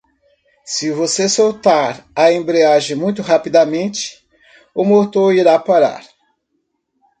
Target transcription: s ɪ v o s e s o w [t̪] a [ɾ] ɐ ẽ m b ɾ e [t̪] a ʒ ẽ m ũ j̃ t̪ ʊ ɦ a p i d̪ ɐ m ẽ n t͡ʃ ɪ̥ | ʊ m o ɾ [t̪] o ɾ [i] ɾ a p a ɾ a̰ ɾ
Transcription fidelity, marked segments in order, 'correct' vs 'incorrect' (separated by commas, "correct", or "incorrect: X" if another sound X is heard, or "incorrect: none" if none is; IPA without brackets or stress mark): correct, correct, incorrect: none, correct, correct